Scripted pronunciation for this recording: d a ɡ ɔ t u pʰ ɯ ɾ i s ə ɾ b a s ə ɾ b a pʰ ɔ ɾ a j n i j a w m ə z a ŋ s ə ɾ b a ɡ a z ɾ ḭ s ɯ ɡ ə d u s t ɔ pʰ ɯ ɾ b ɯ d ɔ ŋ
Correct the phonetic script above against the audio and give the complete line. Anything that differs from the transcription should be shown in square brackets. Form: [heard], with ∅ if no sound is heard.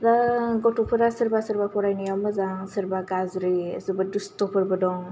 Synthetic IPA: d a ɡ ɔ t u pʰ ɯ ɾ [a] s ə ɾ b a s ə ɾ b a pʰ ɔ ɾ a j n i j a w m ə z a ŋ s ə ɾ b a ɡ a z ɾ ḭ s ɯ [b] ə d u s t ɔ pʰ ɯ ɾ b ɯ d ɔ ŋ